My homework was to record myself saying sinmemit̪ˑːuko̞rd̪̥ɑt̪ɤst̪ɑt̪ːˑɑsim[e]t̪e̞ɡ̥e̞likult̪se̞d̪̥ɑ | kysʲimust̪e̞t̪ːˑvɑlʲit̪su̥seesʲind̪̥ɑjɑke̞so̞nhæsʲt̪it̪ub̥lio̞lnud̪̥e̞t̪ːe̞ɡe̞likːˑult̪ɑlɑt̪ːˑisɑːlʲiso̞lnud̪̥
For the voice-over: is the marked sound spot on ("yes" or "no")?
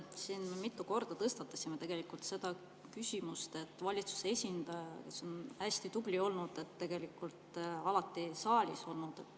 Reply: yes